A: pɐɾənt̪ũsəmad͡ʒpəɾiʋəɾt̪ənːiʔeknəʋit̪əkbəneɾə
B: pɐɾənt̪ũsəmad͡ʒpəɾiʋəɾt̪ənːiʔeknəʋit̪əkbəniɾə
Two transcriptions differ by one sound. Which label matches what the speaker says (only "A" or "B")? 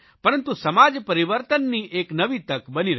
B